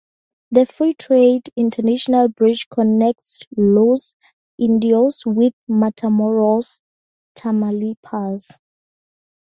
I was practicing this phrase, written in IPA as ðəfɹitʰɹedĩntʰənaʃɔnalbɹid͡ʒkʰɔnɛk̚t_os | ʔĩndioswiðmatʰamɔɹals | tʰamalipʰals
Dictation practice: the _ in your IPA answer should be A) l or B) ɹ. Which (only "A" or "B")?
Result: A